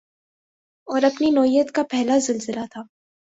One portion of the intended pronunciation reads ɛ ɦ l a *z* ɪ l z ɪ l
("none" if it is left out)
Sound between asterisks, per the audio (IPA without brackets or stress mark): z